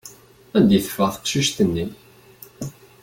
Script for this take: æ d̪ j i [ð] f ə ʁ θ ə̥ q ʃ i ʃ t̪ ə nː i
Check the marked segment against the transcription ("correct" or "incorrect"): incorrect